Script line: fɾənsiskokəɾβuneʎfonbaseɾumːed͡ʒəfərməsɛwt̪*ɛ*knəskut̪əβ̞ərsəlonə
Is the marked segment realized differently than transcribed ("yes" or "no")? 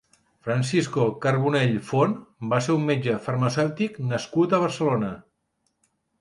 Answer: yes